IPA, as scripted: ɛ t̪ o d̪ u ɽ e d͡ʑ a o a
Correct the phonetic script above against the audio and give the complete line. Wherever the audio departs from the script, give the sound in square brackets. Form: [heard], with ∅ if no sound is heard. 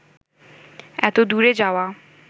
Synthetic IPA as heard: ɛ t̪ o d̪ u [ɾ] e d͡ʑ a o a

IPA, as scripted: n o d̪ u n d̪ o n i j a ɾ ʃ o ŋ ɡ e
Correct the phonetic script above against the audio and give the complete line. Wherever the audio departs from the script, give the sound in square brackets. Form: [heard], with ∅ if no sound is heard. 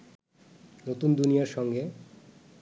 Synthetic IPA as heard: n o [t̪] u n d̪ [u] n i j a ɾ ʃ [ɔ] ŋ ɡ e

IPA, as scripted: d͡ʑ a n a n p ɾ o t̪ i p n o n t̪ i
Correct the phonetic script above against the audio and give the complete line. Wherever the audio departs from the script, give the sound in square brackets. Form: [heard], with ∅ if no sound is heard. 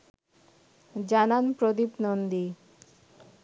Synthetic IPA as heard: d͡ʑ a n a n p ɾ o [d̪] i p n o n [d̪] i

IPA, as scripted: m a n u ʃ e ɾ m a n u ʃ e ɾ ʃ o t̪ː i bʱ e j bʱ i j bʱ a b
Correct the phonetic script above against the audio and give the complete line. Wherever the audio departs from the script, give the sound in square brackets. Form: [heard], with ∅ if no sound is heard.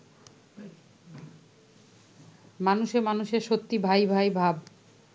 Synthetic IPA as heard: m a n u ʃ e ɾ m a n u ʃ e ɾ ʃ o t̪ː i bʱ [a] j bʱ [a] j bʱ a b

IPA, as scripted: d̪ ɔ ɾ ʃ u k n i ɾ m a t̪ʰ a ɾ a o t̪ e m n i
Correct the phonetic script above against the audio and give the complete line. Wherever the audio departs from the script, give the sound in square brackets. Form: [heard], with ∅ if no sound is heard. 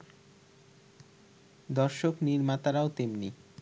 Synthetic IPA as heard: d̪ ɔ ɾ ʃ [o] k n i ɾ m a [t̪] a ɾ a o t̪ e m n i

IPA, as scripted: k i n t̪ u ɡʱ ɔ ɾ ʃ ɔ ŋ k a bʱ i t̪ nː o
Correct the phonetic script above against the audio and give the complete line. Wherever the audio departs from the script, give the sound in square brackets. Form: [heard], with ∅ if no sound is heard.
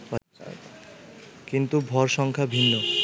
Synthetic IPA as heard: k i n t̪ u [bʱ] ɔ ɾ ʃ ɔ ŋ [kʰ] a bʱ i [∅] nː o

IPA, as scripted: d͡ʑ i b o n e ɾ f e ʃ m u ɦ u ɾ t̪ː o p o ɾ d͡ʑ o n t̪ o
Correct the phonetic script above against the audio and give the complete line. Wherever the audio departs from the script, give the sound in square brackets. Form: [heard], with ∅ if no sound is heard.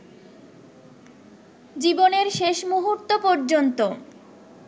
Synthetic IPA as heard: d͡ʑ i b o n e ɾ [ʃ] e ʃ m u ɦ u ɾ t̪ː o p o ɾ d͡ʑ o n t̪ o

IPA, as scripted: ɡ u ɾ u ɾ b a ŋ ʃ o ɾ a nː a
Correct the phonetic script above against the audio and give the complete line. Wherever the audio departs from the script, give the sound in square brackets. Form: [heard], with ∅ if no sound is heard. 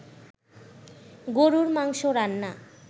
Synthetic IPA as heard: ɡ [o] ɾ u ɾ [m] a ŋ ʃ o ɾ a nː a

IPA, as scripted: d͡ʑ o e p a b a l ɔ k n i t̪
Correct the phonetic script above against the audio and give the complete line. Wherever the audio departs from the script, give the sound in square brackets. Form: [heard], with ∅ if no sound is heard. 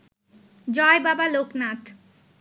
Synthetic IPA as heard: d͡ʑ [ɔ] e [b] a b a l [o] k n [a] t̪

